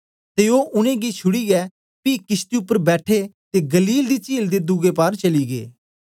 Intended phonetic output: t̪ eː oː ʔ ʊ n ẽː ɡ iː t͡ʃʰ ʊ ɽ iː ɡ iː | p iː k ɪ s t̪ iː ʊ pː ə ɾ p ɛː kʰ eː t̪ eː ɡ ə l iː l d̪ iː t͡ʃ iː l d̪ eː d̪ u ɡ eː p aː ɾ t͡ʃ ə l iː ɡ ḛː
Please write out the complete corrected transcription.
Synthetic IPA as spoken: t̪ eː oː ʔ ʊ n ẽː ɡ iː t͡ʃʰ ʊ ɽ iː ɡ ɛː | p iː k ɪ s t̪ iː ʊ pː ə ɾ b ɛː ʈʰ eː t̪ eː ɡ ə l iː l d̪ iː t͡ʃ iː l d̪ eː d̪ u ɡ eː p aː ɾ t͡ʃ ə l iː ɡ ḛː